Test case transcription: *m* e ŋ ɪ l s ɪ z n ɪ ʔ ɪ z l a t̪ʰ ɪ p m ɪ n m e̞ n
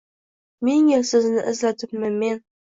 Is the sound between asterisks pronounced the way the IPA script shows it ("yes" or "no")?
yes